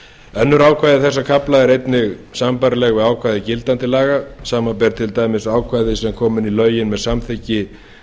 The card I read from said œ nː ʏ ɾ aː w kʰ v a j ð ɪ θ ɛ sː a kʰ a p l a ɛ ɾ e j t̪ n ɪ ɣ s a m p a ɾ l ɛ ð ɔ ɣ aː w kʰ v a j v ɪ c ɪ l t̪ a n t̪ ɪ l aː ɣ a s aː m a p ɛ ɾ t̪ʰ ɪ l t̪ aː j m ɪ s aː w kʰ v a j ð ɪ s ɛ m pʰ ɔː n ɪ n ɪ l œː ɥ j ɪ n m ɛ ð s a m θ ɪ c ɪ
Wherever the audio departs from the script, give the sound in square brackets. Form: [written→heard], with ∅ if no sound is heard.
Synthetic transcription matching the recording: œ nː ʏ ɾ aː w kʰ v a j ð ɪ θ ɛ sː a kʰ a p l a ɛ ɾ e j t̪ n ɪ ɣ s a m p a ɾ l ɛ [ð→ɣ] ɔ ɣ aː w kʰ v a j [v→ð] ɪ c ɪ l t̪ a n t̪ ɪ l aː ɣ a s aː m a p ɛ ɾ t̪ʰ ɪ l t̪ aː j m ɪ s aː w kʰ v a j ð ɪ s ɛ m [pʰ→kʰ] ɔː [n→m] ɪ n [ɪ→i] l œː ɥ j ɪ n m ɛ ð s a m θ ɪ c ɪ